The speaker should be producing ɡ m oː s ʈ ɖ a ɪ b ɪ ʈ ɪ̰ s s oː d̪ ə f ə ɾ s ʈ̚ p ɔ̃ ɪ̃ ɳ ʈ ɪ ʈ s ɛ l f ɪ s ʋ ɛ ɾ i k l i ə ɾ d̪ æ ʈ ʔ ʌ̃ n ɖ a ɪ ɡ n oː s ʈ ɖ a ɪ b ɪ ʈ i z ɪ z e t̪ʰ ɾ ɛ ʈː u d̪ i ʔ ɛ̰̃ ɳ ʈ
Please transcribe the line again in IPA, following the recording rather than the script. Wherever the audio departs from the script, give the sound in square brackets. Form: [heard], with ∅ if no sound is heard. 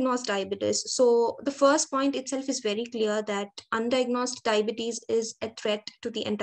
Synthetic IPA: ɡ [n] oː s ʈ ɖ a ɪ b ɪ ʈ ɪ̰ s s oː d̪ ə f ə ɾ s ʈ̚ p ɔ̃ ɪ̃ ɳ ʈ ɪ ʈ s ɛ l f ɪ [z] ʋ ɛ ɾ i k l i ə ɾ d̪ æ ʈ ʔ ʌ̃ n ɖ a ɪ ɡ n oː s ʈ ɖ a ɪ b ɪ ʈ i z ɪ z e t̪ʰ ɾ ɛ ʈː u d̪ i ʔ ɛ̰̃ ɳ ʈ